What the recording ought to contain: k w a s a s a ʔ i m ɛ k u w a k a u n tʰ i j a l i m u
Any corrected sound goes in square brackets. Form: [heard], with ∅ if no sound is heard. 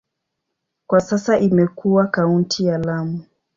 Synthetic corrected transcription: k w a s a s a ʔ i m ɛ k u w a k a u n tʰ i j a l [a] m u